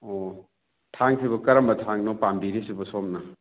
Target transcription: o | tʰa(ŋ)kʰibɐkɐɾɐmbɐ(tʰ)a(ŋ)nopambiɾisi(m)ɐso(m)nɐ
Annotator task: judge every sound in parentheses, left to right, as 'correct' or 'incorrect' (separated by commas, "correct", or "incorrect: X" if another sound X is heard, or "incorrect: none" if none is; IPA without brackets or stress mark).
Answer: correct, correct, correct, incorrect: b, correct